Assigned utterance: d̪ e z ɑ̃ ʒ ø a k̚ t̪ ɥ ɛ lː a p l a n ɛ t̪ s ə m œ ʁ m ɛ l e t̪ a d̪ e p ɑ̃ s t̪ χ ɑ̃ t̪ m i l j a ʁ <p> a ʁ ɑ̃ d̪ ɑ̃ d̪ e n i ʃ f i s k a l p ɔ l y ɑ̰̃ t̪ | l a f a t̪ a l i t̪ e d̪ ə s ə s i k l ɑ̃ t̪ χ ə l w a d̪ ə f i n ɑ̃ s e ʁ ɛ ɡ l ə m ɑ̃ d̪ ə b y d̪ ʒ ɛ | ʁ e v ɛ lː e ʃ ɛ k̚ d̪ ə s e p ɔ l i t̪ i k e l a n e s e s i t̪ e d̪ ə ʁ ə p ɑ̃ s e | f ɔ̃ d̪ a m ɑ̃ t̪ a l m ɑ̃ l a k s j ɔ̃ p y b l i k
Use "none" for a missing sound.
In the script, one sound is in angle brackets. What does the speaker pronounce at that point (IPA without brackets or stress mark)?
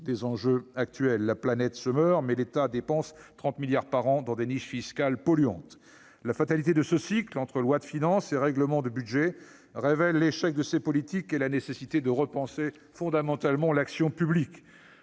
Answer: p